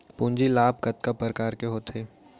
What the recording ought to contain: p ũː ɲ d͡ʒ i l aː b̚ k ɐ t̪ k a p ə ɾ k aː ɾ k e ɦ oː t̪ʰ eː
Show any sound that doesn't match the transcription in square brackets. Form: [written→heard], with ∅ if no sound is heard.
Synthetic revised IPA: p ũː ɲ d͡ʒ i l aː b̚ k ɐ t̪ k a p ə ɾ k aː ɾ k e ɦ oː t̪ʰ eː